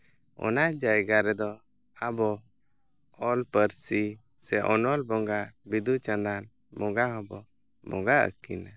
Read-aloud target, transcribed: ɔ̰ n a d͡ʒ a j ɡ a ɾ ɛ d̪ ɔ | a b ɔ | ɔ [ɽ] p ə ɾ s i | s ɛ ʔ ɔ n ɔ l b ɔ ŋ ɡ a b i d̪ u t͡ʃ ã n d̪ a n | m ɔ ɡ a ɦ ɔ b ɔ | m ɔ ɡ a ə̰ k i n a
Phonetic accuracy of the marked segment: incorrect: l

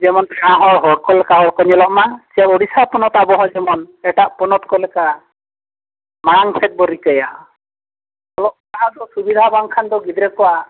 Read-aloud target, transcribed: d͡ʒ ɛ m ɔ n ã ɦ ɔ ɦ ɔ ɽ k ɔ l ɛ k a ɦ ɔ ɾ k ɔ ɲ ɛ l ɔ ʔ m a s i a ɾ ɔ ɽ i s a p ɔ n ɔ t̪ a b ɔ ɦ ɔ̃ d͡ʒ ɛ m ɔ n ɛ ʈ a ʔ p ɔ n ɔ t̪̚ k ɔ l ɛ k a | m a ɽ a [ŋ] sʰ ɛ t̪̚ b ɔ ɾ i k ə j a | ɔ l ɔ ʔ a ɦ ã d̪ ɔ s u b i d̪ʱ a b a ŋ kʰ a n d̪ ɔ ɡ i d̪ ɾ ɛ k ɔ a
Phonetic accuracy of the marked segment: correct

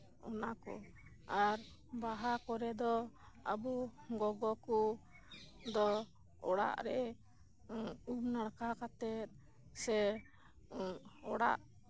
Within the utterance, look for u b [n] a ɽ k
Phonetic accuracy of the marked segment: correct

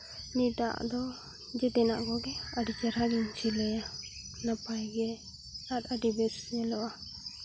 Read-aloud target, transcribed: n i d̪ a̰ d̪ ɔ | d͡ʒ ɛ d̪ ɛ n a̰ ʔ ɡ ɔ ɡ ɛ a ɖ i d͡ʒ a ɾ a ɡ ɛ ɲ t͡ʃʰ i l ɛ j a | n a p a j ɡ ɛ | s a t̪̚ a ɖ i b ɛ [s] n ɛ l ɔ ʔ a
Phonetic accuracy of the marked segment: correct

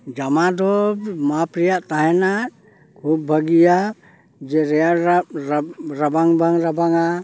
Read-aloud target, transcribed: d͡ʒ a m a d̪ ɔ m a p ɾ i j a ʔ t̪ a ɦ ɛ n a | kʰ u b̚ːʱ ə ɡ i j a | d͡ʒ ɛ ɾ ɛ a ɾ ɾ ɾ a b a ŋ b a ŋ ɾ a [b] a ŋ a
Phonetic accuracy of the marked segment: correct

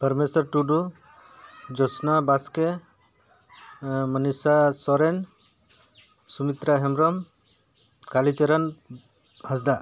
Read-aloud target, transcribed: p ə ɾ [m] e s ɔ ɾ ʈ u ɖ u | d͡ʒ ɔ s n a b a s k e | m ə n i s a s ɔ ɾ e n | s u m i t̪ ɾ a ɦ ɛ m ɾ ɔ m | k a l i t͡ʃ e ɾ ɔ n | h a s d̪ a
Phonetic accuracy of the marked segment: correct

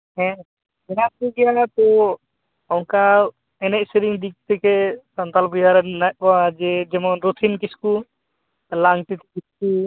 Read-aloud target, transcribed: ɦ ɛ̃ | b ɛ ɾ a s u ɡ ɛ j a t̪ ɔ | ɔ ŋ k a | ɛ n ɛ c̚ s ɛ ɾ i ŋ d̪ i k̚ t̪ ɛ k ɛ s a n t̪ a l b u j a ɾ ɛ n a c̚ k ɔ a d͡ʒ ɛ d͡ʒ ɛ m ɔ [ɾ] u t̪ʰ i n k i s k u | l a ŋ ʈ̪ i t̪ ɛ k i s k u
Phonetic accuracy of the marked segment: correct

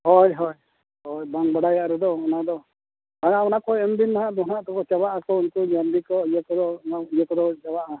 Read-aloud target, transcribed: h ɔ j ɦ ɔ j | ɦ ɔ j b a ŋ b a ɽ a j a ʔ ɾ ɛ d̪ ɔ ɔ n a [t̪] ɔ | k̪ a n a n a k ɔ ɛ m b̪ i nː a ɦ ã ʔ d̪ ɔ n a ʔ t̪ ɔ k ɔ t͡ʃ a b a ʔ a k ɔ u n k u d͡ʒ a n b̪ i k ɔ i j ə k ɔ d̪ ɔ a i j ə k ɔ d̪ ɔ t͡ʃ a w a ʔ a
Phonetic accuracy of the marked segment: incorrect: d̪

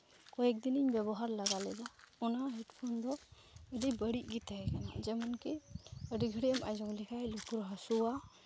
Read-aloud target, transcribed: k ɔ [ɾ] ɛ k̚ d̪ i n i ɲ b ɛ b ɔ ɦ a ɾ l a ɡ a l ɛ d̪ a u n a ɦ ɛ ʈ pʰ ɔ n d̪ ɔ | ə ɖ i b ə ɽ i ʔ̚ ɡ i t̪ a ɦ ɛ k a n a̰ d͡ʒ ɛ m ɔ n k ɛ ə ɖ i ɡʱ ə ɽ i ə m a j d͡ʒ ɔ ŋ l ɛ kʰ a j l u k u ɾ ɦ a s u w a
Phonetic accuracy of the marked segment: incorrect: none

